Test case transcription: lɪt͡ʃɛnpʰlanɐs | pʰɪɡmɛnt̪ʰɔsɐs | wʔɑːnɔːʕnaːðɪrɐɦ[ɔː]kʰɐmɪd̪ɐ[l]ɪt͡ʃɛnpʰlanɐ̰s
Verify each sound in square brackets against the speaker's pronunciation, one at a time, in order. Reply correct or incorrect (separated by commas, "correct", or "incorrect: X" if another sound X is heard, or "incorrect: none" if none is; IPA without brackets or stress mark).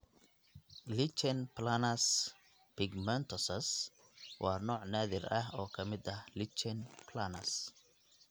correct, correct